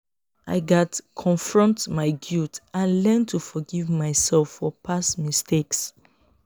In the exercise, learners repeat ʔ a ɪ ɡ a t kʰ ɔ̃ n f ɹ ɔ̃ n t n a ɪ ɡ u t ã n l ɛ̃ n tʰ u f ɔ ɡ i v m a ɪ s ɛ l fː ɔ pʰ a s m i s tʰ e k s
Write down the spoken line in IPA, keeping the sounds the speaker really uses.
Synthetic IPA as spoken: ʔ a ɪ ɡ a t kʰ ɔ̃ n f ɹ ɔ̃ n t m a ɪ ɡ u t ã n l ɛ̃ n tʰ u f ɔ ɡ i v m a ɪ s ɛ l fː ɔ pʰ a s m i s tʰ e k s